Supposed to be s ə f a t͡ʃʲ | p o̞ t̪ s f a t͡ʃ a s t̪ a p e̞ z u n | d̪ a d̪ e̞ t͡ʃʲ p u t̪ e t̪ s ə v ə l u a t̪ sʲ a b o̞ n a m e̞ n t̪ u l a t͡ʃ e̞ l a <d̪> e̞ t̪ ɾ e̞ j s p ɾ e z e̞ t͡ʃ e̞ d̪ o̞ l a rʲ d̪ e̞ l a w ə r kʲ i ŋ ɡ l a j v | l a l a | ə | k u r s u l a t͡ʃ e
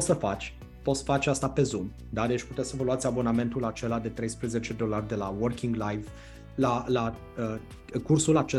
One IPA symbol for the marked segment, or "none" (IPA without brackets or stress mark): d̪